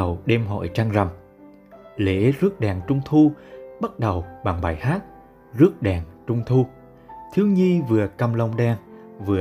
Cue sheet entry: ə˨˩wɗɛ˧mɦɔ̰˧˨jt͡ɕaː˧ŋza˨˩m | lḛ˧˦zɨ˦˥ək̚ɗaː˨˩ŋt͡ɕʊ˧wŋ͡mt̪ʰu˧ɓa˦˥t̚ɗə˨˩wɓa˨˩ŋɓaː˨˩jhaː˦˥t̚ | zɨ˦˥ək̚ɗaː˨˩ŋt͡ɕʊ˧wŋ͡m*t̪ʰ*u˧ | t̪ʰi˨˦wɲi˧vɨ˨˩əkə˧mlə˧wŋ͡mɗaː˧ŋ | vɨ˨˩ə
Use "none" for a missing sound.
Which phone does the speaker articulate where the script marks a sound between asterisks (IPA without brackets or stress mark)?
t̪ʰ